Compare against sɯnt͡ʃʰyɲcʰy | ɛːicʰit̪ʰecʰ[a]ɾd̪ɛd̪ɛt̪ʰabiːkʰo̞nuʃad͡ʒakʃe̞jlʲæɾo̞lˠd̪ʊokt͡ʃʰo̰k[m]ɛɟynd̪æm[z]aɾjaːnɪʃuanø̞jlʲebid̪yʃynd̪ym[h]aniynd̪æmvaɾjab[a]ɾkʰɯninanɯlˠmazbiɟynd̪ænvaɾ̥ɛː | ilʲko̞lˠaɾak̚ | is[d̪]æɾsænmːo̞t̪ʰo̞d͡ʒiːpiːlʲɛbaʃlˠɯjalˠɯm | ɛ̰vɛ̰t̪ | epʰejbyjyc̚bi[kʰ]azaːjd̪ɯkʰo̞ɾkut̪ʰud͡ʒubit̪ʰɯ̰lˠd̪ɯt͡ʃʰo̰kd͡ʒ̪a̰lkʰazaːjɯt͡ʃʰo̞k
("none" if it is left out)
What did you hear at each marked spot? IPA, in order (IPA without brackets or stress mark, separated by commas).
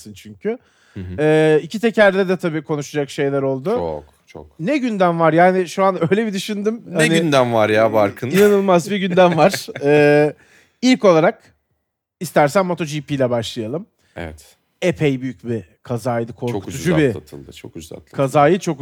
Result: æ, n, v, h, a, t̪, kʰ